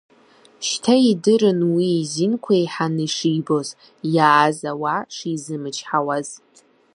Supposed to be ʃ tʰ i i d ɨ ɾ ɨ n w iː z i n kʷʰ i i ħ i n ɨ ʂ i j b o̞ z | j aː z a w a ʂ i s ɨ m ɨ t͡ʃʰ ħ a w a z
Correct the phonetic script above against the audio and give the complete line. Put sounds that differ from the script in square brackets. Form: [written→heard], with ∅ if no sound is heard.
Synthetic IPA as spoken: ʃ tʰ [i→a] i d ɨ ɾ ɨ n w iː z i n kʷʰ [i→a] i ħ [i→a] n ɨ ʂ i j b o̞ z | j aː z a w a ʂ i [s→z] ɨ m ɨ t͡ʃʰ ħ a w a z